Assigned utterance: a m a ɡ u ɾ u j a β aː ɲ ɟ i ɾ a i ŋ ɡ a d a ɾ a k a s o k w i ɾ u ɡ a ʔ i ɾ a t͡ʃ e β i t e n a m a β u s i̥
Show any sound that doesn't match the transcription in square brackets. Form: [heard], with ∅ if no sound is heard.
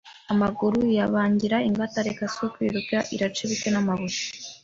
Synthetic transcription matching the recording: a m a ɡ u ɾ u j a β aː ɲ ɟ i ɾ a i ŋ ɡ a [t] a ɾ [e] k a s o k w i ɾ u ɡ a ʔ i ɾ a t͡ʃ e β i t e n a m a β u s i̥